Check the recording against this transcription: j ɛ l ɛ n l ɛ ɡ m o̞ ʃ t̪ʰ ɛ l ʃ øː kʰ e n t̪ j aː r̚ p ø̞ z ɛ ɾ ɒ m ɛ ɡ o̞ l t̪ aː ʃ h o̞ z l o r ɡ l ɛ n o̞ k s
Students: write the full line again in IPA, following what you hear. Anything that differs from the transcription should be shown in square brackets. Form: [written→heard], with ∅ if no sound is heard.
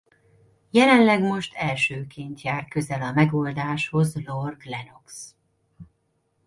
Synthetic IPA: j ɛ l ɛ n l ɛ ɡ m o̞ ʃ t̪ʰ ɛ l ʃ øː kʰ e n t̪ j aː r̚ [p→k] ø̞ z ɛ [ɾ→l] ɒ m ɛ ɡ o̞ l [t̪→d̪] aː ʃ h o̞ z l o r ɡ l ɛ n o̞ k s

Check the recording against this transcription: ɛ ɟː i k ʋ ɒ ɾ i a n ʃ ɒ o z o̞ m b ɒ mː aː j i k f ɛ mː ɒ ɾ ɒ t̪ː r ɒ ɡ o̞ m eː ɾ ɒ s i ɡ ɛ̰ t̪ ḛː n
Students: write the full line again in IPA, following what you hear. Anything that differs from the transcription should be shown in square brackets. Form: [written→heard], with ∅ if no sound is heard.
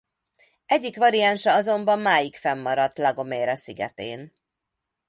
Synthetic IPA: ɛ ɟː i k ʋ ɒ ɾ i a n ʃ ɒ [o→ɒ] z o̞ m b ɒ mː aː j i k f ɛ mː ɒ ɾ ɒ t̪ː [r→l] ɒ ɡ o̞ m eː ɾ ɒ s i ɡ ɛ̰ t̪ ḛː n

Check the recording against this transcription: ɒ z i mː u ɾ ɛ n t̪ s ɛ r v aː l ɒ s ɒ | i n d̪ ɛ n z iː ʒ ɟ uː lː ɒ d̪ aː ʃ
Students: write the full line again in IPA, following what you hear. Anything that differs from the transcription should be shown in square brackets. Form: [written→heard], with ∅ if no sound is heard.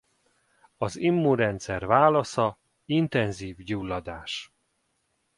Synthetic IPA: ɒ z i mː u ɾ ɛ n t̪ s ɛ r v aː l ɒ s ɒ | i n [d̪→t̪] ɛ n z iː [ʒ→v] ɟ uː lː ɒ d̪ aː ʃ

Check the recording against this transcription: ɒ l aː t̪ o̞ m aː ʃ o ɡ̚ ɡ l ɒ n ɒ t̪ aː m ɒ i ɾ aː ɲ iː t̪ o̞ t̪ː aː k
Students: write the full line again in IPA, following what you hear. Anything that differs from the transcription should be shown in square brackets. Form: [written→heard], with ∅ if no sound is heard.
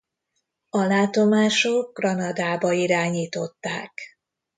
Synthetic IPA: ɒ l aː t̪ o̞ m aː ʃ o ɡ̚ ɡ [l→r] ɒ n ɒ [t̪→d̪] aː [m→b] ɒ i ɾ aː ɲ iː t̪ o̞ t̪ː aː k

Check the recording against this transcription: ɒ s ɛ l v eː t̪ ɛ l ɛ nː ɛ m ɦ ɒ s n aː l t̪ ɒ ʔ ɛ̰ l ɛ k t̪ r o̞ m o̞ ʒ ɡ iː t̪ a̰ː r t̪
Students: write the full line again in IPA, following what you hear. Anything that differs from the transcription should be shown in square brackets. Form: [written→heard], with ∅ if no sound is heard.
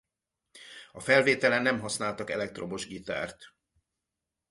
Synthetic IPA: ɒ [s→f] ɛ l v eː t̪ ɛ l ɛ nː ɛ m ɦ ɒ s n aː l t̪ ɒ [ʔ→k] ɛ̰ l ɛ k t̪ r o̞ m o̞ ʒ ɡ [iː→i] t̪ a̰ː r t̪

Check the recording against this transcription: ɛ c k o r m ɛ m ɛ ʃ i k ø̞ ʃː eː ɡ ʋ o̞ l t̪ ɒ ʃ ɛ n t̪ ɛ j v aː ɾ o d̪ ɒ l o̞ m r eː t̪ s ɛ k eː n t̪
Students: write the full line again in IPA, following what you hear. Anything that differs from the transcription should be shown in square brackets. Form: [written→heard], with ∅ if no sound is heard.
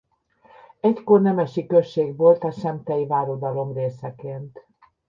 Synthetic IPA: ɛ c k o r [m→n] ɛ m ɛ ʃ i k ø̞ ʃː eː ɡ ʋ o̞ l t̪ ɒ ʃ ɛ [n→m] t̪ ɛ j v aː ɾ o d̪ ɒ l o̞ m r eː [t̪→∅] s ɛ k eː n t̪

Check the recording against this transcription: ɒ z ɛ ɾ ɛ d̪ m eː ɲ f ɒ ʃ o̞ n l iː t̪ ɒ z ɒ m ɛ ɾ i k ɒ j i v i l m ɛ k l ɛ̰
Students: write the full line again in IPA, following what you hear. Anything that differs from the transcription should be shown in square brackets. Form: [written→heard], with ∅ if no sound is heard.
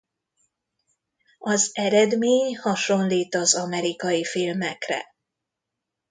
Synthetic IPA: ɒ z ɛ ɾ ɛ d̪ m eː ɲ [f→h] ɒ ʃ o̞ n l iː t̪ ɒ z ɒ m ɛ ɾ i k ɒ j i [v→f] i l m ɛ k [l→r] ɛ̰

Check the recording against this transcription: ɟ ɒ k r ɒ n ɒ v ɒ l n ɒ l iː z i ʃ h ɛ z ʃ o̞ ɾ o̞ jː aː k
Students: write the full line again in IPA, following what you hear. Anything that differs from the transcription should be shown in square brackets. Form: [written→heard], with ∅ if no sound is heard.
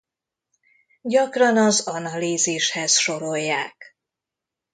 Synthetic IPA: ɟ ɒ k r ɒ n ɒ [v→z] ɒ [l→∅] n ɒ l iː z i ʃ h ɛ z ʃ o̞ ɾ o̞ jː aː k

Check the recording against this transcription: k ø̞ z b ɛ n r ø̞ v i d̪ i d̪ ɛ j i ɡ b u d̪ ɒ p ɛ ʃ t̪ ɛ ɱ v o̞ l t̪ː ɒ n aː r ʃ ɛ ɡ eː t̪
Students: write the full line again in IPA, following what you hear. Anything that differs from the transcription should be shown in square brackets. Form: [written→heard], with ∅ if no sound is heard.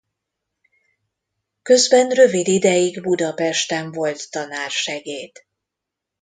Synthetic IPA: k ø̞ z b ɛ n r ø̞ v i d̪ i d̪ ɛ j i ɡ b u d̪ ɒ p ɛ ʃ t̪ ɛ ɱ v o̞ l t̪ː ɒ n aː r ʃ ɛ ɡ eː t̪

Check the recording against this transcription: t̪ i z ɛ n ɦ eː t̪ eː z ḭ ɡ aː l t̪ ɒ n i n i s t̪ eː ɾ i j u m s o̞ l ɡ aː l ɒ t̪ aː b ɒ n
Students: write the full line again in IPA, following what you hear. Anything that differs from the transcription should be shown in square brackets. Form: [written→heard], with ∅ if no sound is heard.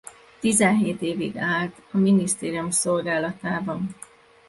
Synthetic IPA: t̪ i z ɛ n ɦ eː t̪ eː [z→v] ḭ ɡ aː l t̪ ɒ [n→m] i n i s t̪ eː ɾ i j u m s o̞ l ɡ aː l ɒ t̪ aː b ɒ n

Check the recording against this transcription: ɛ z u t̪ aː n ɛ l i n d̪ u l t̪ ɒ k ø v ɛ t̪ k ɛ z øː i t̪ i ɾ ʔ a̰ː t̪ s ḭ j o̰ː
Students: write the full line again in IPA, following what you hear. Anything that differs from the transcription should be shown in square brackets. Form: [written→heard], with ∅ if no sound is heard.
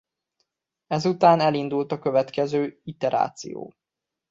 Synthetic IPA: ɛ z u t̪ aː n ɛ l i n d̪ u l t̪ ɒ k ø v ɛ t̪ k ɛ z øː i t̪ [i→ɛ] ɾ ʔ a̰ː t̪ s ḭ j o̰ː

